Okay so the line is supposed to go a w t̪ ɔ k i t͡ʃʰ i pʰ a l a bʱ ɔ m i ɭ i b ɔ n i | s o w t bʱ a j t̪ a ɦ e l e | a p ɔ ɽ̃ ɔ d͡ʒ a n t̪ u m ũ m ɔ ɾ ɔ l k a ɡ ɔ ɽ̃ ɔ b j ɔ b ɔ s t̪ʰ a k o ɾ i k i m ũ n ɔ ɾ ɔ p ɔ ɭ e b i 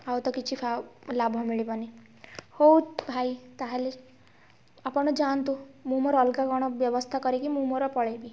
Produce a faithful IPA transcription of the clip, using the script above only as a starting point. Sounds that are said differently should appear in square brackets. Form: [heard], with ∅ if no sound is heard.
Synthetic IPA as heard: a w t̪ ɔ k i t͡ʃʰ i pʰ a l a bʱ ɔ m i ɭ i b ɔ n i | [h] o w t bʱ a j t̪ a ɦ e l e | a p ɔ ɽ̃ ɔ d͡ʒ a n t̪ u m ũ m ɔ ɾ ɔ l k a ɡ ɔ ɽ̃ ɔ b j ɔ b ɔ s t̪ʰ a k [ɔ] ɾ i k i m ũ [m] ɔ ɾ ɔ p ɔ ɭ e b i